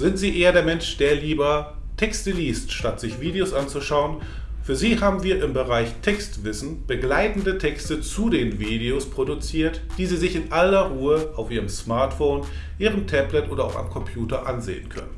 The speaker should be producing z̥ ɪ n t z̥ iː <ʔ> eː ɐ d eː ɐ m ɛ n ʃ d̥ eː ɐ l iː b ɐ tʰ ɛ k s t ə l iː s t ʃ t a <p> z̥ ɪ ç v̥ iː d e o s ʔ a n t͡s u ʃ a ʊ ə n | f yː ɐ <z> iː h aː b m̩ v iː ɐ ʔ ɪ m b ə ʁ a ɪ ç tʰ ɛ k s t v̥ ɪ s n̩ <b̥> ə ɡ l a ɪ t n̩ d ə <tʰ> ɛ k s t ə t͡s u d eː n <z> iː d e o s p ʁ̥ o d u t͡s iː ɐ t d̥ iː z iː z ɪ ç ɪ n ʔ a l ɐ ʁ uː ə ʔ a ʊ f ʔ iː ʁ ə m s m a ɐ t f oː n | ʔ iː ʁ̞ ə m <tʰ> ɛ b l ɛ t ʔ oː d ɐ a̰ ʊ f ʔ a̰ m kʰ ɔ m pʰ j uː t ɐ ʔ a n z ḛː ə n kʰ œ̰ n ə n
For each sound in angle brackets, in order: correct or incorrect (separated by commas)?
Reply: correct, incorrect, correct, correct, correct, incorrect, correct